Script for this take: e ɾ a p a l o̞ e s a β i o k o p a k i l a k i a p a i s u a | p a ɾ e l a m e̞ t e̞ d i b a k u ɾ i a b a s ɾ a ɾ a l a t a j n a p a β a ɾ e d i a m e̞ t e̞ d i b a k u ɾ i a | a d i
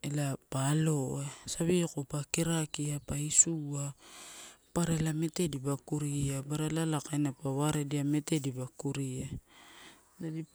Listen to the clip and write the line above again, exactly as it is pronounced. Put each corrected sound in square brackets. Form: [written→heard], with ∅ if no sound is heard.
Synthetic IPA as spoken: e [ɾ→l] a p a l o̞ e s a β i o k o p a k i [l→ɾ] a k i a p a i s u a | p a ɾ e l a m e̞ t e̞ d i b a k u ɾ i a b a [s→∅] ɾ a [ɾ→l] a l a [t→k] a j n a p a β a ɾ e d i a m e̞ t e̞ d i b a k u ɾ i a | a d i

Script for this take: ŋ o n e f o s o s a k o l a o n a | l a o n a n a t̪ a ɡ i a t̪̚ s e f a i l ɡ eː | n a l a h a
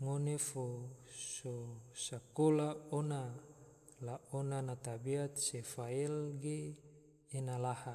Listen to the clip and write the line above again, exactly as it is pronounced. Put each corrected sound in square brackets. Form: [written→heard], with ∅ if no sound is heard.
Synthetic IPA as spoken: ŋ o n e f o s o s a k o l a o n a | l a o n a n a t̪ a [ɡ→b] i a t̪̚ s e f a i l ɡ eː | n a l a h a

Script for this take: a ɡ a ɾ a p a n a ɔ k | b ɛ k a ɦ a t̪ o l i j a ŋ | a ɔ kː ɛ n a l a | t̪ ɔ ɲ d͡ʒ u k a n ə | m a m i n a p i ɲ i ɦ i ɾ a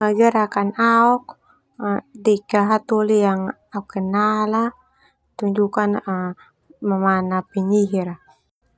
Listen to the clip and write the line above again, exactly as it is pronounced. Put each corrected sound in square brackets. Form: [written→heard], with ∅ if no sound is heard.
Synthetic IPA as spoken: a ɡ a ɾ a [p→k] a n a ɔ k | [b→d] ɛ k a ɦ a t̪ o l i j a ŋ | a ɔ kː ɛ n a l a | t̪ [ɔ→u] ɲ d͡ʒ u k a n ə | m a m [i→a] n a p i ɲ i ɦ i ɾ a

